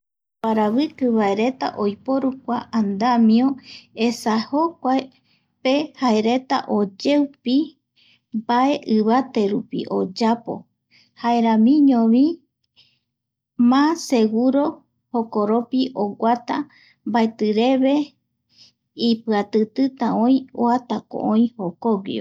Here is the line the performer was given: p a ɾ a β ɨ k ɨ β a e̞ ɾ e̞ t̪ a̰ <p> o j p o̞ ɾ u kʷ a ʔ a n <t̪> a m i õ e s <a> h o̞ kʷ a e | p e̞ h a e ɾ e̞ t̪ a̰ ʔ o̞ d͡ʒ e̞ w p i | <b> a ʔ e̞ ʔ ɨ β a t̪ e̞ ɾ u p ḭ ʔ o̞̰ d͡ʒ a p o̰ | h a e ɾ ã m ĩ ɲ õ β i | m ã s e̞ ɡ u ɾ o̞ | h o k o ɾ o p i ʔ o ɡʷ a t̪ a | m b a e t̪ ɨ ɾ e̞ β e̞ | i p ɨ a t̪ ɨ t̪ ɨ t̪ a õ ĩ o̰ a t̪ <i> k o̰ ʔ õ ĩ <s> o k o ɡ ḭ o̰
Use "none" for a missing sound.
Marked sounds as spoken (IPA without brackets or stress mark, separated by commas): ʔ, d̪, a, b, a, h